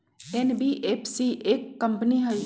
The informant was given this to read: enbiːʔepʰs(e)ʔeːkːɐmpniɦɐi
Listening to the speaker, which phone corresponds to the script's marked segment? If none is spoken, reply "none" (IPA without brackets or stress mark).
i